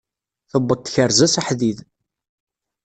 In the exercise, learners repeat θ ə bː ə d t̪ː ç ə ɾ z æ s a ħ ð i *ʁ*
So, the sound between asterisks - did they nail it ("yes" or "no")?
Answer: no